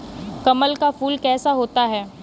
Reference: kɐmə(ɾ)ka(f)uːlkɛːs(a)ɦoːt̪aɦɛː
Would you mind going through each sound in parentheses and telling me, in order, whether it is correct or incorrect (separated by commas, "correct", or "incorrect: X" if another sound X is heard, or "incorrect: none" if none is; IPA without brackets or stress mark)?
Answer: incorrect: l, correct, correct